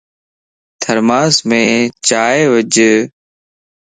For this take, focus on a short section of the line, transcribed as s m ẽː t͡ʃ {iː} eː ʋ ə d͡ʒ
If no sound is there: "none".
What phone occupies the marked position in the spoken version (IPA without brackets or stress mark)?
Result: aː